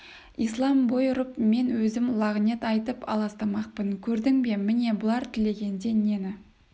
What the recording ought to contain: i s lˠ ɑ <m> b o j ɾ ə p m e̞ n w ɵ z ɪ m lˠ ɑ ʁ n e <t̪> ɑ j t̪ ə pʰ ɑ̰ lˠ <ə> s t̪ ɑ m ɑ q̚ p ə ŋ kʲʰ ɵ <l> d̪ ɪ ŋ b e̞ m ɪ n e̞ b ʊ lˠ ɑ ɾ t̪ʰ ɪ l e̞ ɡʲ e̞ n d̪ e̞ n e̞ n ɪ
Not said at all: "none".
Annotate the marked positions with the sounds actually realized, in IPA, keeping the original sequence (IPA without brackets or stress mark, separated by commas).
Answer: m, t̪, ɑ, ɾ